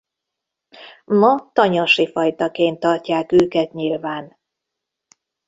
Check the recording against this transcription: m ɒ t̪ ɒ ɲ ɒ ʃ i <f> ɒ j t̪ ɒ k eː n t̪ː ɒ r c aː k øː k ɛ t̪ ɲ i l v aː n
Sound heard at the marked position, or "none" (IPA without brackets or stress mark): f